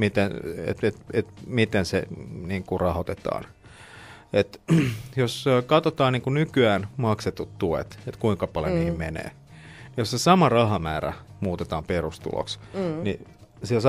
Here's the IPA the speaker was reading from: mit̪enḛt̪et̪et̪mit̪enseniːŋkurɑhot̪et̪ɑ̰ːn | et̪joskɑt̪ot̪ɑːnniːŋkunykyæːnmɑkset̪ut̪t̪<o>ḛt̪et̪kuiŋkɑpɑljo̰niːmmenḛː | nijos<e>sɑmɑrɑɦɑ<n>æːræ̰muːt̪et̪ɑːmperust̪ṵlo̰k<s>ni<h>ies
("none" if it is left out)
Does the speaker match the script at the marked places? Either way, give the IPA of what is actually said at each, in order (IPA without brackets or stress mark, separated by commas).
u, e, m, s, s